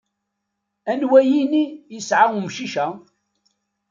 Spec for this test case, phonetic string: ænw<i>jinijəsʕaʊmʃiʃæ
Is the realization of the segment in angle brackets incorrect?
yes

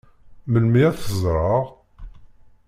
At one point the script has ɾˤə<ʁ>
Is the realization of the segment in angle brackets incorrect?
no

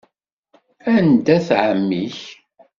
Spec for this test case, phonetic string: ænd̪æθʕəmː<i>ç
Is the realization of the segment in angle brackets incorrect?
no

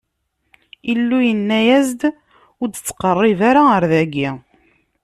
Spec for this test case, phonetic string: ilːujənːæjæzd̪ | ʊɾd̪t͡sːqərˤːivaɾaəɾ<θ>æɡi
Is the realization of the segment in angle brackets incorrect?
yes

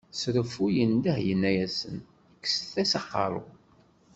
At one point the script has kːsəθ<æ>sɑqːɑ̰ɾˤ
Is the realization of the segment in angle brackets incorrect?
no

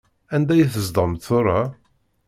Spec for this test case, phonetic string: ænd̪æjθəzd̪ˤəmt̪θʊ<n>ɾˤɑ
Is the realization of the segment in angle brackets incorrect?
yes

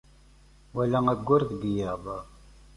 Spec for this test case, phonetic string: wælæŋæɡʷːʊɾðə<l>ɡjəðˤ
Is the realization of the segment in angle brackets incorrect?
yes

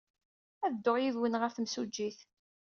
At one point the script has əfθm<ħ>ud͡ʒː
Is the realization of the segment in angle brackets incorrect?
yes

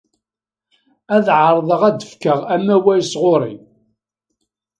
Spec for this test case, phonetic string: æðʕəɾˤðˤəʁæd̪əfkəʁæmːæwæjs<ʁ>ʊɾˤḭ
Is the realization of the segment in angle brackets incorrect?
no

